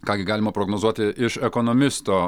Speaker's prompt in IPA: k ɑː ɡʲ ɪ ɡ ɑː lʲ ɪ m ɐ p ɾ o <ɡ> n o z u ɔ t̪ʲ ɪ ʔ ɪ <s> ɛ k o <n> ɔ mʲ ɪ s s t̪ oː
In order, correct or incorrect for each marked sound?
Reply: correct, incorrect: ʃ, correct

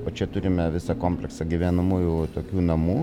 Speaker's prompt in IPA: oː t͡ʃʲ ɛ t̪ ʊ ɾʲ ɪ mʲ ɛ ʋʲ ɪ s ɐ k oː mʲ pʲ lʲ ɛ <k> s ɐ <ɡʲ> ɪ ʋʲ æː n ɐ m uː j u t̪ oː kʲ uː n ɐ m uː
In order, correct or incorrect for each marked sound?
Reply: correct, correct

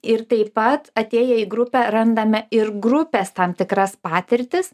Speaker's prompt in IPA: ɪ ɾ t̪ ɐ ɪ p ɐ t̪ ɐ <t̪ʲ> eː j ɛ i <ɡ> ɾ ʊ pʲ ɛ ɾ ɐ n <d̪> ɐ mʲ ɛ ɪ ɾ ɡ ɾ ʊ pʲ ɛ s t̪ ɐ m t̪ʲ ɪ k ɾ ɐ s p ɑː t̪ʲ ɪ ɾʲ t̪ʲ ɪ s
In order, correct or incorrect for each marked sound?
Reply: correct, correct, correct

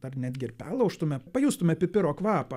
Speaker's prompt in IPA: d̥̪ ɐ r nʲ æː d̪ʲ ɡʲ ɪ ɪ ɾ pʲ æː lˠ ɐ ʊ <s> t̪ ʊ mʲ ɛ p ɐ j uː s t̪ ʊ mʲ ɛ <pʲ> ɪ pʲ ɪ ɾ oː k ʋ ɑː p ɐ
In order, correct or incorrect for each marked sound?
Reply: incorrect: ʃ, correct

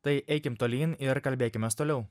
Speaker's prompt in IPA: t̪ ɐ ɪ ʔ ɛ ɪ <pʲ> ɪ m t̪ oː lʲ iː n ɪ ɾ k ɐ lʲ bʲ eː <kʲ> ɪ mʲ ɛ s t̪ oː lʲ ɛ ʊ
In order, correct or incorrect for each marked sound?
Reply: incorrect: kʲ, correct

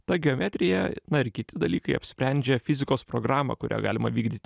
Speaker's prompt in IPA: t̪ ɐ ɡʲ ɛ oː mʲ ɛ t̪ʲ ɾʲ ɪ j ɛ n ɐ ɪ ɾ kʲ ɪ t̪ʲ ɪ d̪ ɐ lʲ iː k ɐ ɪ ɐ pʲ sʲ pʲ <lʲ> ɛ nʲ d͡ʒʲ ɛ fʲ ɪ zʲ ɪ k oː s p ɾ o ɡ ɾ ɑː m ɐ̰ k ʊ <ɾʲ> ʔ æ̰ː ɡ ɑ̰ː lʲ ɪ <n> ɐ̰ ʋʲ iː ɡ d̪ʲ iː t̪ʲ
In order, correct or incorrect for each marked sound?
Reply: incorrect: ɾʲ, correct, incorrect: m

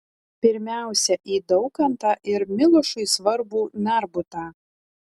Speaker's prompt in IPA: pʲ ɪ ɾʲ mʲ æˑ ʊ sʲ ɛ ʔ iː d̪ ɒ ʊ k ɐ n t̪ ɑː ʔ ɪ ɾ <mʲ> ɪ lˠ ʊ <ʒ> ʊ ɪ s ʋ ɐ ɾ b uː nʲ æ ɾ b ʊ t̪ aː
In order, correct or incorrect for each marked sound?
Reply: correct, incorrect: ʃ

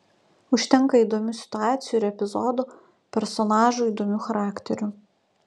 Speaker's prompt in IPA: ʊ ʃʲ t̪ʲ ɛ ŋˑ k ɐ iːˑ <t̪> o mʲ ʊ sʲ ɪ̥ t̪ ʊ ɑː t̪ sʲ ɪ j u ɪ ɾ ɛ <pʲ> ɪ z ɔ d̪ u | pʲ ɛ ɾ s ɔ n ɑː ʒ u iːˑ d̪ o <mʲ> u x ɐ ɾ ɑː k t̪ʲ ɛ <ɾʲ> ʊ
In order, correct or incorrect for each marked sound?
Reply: incorrect: d̪, correct, correct, correct

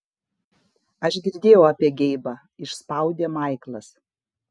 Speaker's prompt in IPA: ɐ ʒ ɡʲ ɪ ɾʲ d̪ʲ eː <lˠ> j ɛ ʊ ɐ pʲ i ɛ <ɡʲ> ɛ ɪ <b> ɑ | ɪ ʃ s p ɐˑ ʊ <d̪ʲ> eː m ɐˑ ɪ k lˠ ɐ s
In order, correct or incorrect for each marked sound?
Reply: incorrect: none, correct, correct, correct

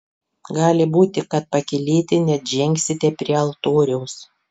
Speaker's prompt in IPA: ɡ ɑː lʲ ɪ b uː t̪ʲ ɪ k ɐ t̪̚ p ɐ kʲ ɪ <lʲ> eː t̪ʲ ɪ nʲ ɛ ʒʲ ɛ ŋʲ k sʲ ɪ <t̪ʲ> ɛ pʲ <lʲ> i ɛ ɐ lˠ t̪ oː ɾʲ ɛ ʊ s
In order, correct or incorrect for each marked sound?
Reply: correct, correct, incorrect: ɾʲ

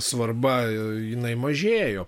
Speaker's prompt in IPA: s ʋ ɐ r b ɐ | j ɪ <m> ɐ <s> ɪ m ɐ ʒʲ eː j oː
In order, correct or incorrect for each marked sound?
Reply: incorrect: n, incorrect: none

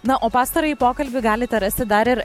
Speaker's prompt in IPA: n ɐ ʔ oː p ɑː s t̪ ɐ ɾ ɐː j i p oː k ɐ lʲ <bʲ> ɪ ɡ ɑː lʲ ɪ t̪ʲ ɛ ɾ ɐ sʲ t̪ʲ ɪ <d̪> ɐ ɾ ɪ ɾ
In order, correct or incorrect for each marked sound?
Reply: correct, correct

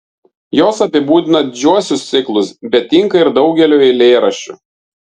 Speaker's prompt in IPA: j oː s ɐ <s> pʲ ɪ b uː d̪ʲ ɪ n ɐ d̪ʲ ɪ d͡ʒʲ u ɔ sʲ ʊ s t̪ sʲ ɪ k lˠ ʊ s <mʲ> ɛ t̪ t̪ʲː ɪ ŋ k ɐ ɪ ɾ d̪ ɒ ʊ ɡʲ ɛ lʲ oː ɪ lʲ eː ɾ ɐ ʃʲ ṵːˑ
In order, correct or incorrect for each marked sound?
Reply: incorrect: none, incorrect: bʲ

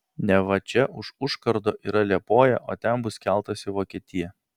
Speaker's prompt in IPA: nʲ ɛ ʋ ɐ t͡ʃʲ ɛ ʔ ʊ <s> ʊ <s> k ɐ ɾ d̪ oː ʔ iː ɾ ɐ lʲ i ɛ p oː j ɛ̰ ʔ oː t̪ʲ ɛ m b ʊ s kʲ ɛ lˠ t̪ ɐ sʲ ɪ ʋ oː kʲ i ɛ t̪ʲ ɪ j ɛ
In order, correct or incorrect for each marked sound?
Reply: incorrect: ʃ, incorrect: ʃ

